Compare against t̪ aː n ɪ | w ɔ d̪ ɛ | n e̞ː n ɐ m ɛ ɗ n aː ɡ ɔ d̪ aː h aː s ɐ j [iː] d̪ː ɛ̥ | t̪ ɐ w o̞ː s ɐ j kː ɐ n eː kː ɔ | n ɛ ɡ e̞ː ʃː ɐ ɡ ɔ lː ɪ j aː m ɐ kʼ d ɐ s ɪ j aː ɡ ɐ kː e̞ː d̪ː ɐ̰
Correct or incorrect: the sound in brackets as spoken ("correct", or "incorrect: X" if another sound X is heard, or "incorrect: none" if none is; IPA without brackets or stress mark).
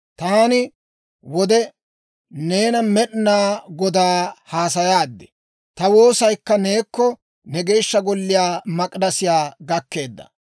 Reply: incorrect: aː